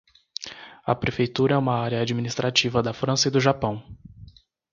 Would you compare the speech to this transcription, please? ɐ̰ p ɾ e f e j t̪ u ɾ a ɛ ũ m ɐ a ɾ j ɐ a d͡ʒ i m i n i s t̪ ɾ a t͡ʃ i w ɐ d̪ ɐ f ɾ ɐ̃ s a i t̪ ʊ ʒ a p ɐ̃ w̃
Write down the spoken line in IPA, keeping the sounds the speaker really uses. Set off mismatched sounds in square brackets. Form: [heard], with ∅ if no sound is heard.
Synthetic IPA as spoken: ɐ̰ p ɾ e f e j t̪ u ɾ [ɐ] ɛ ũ m ɐ a ɾ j ɐ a d͡ʒ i m i n i s t̪ ɾ a t͡ʃ i [v] ɐ d̪ ɐ f ɾ ɐ̃ s [ɐ] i [d̪] ʊ ʒ a p ɐ̃ w̃